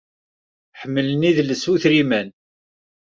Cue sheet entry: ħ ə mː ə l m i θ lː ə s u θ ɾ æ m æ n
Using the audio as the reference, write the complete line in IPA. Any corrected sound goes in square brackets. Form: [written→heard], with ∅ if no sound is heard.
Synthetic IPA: ħ ə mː ə l [m→n] i [θ→ð] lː ə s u θ ɾ [æ→i] m æ n